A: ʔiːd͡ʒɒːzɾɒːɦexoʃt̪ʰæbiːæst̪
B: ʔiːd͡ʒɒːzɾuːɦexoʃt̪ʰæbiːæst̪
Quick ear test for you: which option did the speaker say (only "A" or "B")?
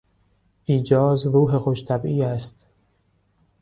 B